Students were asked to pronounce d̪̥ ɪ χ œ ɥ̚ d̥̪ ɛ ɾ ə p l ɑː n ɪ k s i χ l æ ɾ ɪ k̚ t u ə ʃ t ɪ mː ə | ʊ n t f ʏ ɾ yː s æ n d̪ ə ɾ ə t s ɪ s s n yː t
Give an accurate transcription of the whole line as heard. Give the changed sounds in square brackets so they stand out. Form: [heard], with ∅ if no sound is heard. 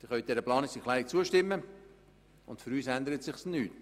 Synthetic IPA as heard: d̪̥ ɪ χ œ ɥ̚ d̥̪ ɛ ɾ ə p l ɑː n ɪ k s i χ l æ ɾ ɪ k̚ [t͡s] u ə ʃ t ɪ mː ə | ʊ n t f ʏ ɾ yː s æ n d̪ ə ɾ ə t s ɪ [χ] s n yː t